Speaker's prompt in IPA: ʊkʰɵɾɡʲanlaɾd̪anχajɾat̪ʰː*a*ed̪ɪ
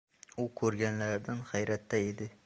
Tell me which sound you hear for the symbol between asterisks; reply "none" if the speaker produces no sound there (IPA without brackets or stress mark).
a